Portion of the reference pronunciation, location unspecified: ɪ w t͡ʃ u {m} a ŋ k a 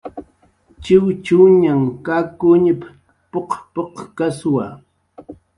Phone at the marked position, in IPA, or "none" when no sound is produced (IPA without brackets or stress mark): ɲ